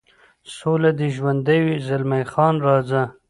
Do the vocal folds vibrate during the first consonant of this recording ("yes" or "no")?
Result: no